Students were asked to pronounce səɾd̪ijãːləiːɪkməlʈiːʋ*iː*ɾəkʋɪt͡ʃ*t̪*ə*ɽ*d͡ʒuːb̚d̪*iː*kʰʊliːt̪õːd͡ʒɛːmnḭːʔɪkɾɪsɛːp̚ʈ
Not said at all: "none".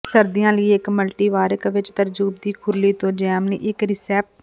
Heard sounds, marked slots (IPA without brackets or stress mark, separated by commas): aː, t̪, ɾ, iː